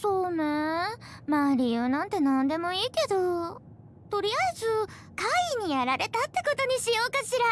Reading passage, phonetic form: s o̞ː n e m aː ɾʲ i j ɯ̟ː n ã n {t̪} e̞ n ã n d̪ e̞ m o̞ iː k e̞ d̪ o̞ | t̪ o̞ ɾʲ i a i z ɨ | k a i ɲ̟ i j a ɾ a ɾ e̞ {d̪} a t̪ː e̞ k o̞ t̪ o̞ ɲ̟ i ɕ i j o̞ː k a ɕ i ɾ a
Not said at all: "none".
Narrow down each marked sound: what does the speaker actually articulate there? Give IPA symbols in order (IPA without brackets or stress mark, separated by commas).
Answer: t̪, t̪